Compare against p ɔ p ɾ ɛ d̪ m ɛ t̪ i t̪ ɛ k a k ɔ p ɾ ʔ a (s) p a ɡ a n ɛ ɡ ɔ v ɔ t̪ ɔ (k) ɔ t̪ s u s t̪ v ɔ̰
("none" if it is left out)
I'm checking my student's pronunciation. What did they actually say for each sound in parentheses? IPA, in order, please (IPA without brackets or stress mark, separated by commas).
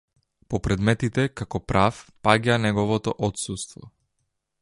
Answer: f, ʔ